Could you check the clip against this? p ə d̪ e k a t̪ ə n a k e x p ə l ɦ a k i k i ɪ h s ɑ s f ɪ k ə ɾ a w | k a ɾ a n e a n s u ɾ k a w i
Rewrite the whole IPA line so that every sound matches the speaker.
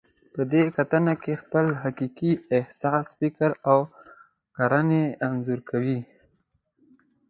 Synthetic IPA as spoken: p ə d̪ e k a t̪ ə n a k e x p ə l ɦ a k i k i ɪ h s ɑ s f ɪ k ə ɾ a w | k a ɾ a n e a n z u ɾ k a w i